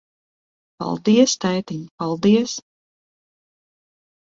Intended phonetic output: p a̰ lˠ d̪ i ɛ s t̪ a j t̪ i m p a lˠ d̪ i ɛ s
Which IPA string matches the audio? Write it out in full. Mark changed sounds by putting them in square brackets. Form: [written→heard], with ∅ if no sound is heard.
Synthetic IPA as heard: p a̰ lˠ d̪ i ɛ s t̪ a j t̪ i [m→ɲ] p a lˠ d̪ i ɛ s